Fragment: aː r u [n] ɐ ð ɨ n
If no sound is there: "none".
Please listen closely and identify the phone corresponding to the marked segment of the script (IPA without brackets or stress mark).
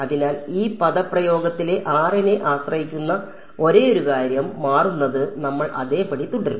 nː